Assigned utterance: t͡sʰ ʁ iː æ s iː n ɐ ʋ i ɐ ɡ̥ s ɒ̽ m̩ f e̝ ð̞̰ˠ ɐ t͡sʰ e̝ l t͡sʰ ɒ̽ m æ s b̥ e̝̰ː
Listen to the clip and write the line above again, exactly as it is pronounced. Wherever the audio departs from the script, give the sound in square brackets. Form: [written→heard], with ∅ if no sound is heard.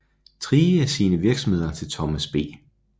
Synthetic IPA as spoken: t͡sʰ ʁ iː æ s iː n [ɐ→ə] ʋ i ɐ ɡ̥ s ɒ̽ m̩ [f→h] e̝ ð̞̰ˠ ɐ t͡sʰ e̝ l t͡sʰ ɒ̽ m æ s b̥ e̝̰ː